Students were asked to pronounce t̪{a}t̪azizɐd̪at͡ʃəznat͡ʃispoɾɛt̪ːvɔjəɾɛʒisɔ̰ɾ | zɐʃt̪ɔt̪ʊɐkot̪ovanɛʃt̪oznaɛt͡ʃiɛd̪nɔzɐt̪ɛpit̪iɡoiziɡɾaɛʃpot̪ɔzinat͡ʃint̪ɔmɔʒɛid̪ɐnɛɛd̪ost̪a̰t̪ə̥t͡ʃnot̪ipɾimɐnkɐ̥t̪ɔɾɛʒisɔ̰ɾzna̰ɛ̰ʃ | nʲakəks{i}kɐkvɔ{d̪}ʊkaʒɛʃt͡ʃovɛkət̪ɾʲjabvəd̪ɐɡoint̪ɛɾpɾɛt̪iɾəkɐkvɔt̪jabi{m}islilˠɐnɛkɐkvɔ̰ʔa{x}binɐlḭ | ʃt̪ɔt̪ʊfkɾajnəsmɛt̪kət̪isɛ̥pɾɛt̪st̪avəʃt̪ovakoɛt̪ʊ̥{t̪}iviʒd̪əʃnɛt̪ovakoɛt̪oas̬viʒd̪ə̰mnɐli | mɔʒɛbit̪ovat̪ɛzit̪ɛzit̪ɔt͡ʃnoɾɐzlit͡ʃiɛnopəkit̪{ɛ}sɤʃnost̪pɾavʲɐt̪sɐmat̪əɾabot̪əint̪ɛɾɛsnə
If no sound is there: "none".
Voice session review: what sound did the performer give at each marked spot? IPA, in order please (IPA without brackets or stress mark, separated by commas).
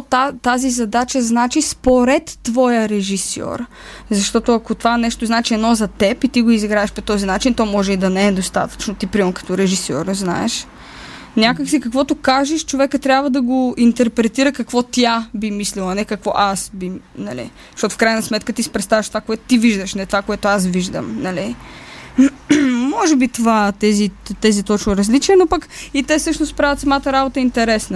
a, i, t̪, m, s, t̪, ɛ